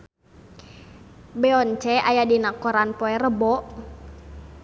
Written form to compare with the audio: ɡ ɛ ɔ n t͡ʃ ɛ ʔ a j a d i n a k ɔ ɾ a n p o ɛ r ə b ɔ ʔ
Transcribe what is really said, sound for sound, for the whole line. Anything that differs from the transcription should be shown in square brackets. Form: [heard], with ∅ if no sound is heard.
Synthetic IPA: [b] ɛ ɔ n t͡ʃ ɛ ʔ a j a d i n a k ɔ ɾ a n p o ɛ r ə b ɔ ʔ